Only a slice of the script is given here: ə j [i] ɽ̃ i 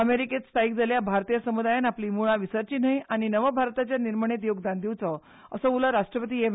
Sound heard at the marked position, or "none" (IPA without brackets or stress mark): a